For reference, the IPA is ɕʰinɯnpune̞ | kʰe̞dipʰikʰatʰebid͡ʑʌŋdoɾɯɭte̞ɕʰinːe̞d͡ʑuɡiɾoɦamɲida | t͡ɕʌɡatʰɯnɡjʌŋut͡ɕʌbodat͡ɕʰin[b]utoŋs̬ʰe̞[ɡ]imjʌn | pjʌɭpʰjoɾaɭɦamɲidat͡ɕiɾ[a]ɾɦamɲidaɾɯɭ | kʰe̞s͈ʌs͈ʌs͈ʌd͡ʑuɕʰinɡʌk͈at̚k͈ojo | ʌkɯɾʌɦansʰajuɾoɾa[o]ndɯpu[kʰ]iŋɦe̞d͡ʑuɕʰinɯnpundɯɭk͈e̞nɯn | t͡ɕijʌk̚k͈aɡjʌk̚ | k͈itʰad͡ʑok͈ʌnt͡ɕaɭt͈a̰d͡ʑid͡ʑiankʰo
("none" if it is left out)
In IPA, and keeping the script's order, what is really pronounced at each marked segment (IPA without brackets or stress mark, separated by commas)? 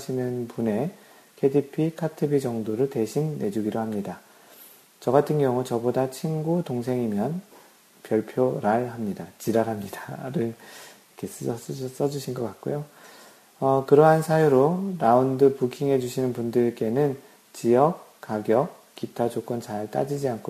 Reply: ɡ, ŋ, a, u, kʰ